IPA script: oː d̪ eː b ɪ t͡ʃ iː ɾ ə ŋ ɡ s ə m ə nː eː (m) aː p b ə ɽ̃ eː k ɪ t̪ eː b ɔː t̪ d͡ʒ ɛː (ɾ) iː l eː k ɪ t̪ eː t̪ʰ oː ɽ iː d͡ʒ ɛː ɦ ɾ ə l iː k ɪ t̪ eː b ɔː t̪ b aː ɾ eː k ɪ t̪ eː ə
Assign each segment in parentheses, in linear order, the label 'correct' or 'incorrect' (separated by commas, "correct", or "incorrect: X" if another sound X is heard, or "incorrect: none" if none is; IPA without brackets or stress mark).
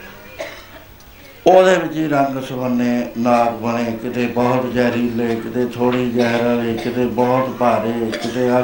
incorrect: n, correct